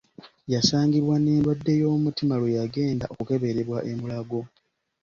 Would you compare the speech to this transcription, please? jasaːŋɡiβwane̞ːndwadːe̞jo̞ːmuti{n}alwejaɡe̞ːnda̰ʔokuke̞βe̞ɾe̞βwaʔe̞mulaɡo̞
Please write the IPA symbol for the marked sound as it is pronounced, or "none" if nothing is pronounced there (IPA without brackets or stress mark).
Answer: m